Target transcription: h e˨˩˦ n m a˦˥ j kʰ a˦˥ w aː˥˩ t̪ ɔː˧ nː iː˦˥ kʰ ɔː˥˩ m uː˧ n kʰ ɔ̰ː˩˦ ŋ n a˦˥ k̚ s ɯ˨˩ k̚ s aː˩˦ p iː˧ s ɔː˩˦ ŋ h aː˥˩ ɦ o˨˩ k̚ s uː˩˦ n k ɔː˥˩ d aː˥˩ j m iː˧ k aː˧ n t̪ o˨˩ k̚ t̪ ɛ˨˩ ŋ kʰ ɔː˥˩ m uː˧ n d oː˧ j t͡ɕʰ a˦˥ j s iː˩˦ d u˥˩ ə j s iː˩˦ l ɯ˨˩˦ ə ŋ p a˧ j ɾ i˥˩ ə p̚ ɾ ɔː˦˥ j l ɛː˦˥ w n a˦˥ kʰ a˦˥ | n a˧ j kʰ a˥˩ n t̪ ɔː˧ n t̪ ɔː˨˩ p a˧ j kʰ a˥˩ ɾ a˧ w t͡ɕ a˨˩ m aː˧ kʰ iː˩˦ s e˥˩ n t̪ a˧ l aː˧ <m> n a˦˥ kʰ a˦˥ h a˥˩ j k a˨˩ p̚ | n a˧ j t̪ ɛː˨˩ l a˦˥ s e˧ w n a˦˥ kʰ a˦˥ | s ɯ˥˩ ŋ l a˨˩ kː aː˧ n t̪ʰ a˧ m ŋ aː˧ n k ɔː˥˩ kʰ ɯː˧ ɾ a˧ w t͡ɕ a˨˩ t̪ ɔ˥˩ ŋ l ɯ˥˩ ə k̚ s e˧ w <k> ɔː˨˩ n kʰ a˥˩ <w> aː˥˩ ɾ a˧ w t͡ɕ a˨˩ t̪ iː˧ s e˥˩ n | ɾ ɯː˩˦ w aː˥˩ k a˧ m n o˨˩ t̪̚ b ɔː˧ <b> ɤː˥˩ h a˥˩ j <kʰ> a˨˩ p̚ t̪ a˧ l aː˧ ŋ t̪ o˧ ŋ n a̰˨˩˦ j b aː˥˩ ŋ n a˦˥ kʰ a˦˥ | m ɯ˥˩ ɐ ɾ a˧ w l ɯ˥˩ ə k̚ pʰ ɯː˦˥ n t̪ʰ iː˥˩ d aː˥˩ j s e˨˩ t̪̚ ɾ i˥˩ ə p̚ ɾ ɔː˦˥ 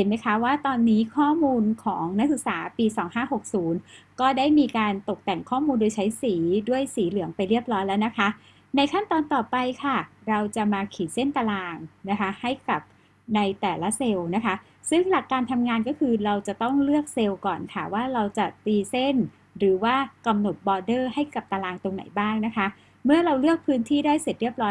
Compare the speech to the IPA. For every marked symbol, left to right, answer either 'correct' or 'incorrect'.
incorrect: ŋ, correct, correct, incorrect: d, incorrect: k

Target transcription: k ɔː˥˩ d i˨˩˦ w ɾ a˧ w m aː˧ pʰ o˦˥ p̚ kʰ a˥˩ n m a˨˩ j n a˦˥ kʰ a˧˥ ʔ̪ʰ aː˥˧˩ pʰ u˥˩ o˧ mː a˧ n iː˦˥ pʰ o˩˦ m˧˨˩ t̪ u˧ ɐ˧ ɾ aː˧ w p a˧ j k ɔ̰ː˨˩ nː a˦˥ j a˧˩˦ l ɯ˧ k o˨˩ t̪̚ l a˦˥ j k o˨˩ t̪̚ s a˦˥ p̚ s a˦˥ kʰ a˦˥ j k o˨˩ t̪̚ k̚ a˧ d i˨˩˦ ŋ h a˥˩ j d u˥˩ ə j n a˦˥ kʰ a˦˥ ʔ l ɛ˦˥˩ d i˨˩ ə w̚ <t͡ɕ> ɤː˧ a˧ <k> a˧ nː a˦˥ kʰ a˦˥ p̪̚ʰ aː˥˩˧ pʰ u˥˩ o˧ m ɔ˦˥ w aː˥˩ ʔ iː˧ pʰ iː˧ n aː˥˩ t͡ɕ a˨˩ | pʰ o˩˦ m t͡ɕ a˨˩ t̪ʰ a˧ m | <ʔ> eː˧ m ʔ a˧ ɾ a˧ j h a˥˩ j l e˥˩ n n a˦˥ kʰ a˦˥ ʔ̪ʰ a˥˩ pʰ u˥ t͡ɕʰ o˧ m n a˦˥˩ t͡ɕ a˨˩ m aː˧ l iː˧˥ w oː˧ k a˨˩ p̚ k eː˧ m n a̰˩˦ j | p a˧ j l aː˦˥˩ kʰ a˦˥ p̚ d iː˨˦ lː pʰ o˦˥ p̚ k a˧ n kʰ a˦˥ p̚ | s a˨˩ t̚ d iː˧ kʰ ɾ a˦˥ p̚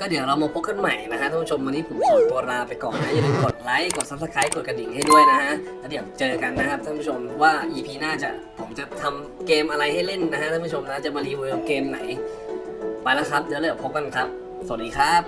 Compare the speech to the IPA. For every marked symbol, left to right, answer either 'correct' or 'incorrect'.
correct, correct, incorrect: k

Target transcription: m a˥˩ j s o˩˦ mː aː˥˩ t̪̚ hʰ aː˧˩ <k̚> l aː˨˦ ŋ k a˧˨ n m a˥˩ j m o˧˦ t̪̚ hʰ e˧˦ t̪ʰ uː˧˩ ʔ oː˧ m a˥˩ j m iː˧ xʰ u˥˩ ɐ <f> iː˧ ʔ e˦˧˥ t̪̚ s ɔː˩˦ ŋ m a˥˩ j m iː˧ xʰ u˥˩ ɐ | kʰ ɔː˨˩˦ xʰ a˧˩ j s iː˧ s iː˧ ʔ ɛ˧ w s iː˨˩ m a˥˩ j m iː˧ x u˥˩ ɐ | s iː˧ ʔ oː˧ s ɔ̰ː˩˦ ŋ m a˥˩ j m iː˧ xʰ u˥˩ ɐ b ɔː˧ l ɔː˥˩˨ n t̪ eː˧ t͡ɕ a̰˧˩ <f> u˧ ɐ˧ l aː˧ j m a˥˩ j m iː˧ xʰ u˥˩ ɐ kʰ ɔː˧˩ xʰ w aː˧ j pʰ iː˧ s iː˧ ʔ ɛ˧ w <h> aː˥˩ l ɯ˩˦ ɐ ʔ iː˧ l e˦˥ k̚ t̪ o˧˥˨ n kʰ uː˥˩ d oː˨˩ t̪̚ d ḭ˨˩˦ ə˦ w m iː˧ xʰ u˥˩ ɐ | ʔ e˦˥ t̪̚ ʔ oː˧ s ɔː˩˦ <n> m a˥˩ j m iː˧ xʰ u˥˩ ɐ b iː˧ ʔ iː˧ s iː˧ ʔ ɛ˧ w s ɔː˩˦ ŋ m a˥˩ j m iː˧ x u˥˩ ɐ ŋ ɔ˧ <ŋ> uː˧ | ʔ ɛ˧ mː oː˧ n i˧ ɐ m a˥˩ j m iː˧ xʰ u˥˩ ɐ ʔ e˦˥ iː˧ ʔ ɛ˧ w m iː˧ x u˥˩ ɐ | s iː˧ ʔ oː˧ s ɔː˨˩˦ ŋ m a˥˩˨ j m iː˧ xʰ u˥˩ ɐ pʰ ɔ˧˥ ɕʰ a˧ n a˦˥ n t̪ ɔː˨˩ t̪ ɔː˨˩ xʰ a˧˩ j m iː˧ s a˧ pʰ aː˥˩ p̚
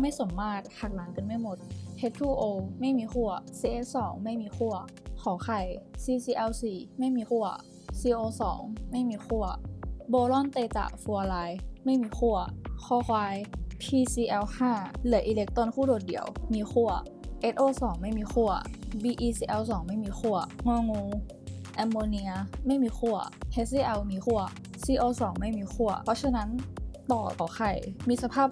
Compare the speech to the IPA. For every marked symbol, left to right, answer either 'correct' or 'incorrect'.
correct, incorrect: s, correct, correct, incorrect: ŋ, correct

